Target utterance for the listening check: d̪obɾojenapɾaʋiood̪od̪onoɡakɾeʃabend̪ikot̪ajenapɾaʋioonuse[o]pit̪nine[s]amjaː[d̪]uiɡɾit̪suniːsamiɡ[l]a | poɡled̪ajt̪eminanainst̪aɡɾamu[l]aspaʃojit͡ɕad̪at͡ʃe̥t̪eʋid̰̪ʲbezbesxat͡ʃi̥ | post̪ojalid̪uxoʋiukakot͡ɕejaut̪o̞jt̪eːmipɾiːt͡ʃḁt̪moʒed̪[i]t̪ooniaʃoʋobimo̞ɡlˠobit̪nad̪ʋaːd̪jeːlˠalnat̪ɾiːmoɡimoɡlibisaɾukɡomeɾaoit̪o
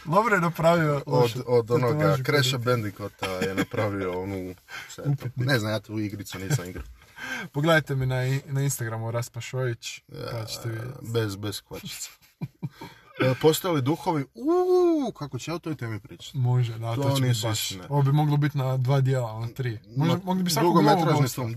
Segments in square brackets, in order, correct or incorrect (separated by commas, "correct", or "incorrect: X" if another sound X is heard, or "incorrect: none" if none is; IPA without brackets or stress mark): incorrect: u, incorrect: z, incorrect: t̪, incorrect: ɾ, incorrect: ɾ, incorrect: a